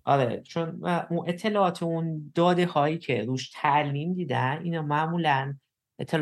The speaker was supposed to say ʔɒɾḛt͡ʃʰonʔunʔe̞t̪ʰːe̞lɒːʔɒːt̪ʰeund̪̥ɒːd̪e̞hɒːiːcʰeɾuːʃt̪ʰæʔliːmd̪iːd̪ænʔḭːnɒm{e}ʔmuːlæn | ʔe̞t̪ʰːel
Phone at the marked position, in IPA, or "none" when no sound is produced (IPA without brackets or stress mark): æ